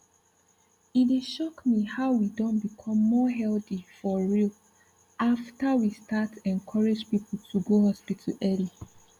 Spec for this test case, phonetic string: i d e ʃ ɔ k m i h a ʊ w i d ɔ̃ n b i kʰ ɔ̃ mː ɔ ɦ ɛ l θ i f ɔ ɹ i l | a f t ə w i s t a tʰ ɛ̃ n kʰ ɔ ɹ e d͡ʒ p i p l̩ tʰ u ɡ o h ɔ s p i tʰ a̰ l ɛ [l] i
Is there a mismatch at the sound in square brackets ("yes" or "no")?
no